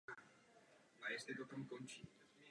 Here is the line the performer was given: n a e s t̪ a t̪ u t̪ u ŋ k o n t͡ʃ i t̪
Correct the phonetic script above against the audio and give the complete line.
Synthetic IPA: m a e s t̪ e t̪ o t̪ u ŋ k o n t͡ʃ i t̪